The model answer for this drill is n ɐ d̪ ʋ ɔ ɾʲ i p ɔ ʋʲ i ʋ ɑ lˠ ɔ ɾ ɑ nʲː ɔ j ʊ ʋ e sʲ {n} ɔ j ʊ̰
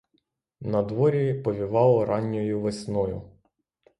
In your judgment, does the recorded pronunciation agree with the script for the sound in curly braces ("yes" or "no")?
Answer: yes